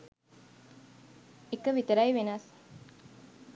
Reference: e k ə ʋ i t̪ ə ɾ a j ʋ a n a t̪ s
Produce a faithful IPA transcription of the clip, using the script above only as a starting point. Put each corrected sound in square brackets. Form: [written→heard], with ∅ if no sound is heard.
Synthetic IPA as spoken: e k ə ʋ i t̪ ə ɾ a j ʋ [a→e] n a [t̪→∅] s